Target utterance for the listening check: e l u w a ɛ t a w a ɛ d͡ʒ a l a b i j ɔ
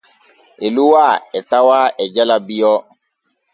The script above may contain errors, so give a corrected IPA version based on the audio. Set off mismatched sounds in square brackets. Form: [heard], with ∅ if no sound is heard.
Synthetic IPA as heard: e l u w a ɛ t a w a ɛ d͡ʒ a l a b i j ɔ